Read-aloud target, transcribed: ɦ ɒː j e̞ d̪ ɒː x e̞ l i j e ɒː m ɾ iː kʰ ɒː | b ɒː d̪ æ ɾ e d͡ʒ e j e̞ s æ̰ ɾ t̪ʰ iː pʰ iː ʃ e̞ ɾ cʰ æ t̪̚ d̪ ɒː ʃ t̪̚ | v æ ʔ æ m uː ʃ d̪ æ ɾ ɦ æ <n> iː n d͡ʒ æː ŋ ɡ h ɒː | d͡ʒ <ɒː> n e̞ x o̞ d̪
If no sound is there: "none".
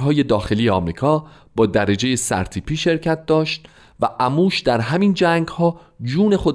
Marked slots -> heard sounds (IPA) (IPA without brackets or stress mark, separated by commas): m, uː